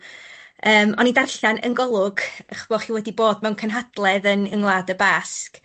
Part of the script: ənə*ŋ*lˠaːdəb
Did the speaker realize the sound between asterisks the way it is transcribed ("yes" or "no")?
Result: yes